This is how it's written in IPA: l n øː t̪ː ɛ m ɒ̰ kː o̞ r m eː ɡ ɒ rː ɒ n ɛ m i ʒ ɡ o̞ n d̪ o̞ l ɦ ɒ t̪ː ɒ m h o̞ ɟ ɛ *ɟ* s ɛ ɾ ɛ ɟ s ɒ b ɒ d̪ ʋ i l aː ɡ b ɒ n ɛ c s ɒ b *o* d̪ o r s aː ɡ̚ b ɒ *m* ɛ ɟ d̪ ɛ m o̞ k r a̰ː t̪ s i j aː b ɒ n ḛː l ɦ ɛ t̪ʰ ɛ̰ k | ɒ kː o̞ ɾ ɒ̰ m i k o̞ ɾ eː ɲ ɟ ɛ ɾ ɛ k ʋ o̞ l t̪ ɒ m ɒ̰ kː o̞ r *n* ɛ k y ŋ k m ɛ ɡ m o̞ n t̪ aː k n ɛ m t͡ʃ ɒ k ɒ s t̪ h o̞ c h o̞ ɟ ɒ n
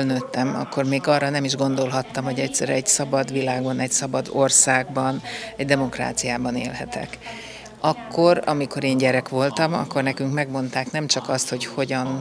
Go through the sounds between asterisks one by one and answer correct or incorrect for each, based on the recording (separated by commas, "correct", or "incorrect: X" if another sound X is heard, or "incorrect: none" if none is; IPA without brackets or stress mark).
incorrect: c, incorrect: ɒ, incorrect: n, correct